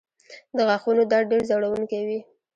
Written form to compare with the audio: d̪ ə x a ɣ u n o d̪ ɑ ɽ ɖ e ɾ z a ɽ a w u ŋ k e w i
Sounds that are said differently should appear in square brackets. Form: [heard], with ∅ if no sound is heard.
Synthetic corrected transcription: d̪ ə [ɣ] a [x] u n o d̪ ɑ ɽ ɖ e ɾ z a ɽ a w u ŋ k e w i